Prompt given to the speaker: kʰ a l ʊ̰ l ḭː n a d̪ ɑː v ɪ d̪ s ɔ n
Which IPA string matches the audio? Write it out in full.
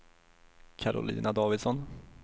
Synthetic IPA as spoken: kʰ a ɾ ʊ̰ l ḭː n a d̪ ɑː v ɪ d̪ s ɔ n